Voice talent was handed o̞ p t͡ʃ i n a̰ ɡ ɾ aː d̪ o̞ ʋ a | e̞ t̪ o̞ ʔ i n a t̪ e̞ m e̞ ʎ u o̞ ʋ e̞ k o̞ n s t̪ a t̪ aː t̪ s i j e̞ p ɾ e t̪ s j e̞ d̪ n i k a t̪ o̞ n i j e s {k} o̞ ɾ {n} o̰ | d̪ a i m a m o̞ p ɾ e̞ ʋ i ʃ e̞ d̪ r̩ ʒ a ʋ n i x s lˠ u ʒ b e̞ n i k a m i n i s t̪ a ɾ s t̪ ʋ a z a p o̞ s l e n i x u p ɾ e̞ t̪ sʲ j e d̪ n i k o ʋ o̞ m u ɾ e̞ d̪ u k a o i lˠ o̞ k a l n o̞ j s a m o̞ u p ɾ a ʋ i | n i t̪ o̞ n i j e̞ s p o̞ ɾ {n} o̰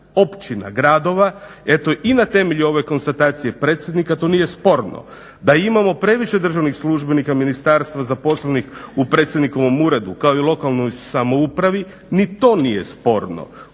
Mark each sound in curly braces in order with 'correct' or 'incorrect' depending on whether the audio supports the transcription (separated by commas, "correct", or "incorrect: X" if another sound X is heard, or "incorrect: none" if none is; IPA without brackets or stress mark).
incorrect: p, correct, correct